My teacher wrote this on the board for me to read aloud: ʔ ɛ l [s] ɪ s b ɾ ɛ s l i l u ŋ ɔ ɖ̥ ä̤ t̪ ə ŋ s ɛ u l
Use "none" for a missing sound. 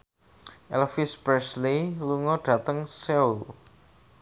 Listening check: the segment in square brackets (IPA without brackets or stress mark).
f